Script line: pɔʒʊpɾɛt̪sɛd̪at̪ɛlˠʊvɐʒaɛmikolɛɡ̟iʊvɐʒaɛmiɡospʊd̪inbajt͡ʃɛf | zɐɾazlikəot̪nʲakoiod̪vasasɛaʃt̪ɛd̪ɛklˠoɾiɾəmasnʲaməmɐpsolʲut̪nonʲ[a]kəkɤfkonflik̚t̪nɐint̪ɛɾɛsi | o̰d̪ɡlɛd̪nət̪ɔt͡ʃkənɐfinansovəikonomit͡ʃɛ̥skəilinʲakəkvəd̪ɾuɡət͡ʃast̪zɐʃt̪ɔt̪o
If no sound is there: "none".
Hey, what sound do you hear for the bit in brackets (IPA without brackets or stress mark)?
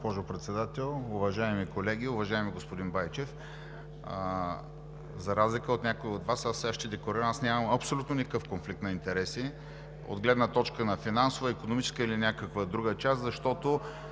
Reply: i